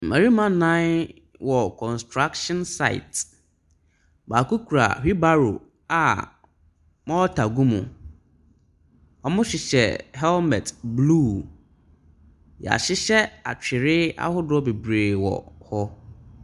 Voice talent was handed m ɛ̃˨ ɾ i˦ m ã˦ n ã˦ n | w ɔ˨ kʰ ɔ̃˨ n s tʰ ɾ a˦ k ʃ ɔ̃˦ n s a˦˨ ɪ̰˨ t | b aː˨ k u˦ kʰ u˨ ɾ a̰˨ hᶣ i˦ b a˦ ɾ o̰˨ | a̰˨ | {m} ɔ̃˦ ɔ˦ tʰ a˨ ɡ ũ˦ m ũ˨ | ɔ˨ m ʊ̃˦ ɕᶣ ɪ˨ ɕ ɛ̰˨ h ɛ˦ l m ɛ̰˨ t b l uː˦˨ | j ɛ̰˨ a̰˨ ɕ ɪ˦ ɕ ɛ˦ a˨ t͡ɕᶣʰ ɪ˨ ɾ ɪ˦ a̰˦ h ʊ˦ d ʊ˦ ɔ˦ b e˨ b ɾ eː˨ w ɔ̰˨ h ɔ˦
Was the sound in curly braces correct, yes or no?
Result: yes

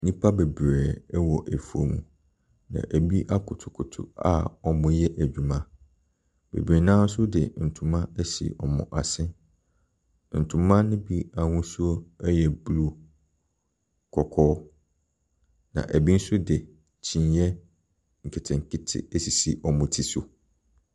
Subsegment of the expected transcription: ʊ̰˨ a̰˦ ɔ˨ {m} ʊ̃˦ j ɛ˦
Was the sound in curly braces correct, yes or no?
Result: yes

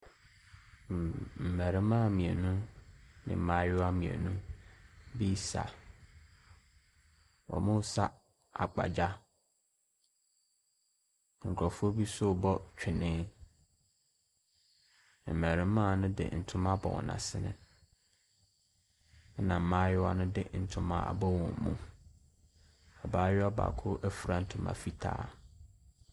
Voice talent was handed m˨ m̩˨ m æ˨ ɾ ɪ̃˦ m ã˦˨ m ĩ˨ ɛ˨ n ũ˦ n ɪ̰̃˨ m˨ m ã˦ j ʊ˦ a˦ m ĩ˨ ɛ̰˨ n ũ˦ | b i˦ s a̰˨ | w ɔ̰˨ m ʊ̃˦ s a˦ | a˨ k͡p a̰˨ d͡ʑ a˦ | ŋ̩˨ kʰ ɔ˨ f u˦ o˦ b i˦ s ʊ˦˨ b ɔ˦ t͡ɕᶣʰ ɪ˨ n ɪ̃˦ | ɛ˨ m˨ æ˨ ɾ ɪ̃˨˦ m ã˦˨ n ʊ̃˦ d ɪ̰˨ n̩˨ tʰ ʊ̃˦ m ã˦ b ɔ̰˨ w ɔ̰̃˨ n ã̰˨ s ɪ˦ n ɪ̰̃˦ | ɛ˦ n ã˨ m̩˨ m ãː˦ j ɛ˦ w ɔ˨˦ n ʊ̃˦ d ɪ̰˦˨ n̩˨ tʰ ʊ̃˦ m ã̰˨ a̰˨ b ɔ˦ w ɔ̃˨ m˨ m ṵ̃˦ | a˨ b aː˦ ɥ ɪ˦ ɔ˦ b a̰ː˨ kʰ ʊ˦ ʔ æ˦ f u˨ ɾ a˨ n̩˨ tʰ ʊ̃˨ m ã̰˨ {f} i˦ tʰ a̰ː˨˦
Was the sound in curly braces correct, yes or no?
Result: yes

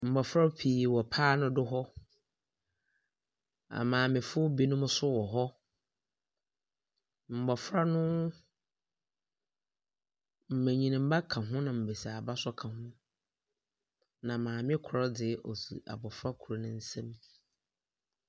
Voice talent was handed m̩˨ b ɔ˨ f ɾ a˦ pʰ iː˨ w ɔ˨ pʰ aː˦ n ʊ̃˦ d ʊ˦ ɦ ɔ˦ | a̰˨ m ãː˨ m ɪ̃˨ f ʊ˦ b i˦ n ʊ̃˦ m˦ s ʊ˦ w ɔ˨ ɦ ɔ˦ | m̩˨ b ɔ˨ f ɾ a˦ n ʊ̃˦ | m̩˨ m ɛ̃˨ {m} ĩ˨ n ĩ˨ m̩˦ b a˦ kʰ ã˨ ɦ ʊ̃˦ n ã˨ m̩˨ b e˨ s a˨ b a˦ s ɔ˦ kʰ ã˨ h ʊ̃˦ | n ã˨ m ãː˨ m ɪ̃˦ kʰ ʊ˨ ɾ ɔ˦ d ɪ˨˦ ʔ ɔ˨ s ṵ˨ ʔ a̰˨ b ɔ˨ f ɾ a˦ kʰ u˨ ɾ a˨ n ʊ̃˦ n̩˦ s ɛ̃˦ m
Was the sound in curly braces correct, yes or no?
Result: no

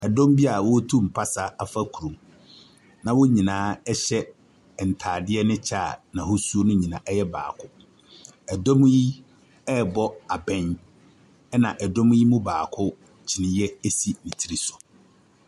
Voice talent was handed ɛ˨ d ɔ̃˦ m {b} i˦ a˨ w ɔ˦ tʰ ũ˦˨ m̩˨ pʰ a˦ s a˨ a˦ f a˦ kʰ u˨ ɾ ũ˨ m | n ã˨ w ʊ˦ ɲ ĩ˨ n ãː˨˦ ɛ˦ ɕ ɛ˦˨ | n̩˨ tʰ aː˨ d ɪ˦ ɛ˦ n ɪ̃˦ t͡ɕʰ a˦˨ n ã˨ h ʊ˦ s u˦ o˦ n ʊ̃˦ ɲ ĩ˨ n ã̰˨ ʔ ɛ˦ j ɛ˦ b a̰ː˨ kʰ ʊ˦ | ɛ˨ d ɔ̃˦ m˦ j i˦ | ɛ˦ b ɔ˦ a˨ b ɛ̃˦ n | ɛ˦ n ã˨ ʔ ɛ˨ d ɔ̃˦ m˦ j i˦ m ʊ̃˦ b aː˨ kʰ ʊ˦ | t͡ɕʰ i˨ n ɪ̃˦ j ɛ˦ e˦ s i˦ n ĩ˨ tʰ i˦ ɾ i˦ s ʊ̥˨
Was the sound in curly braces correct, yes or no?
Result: yes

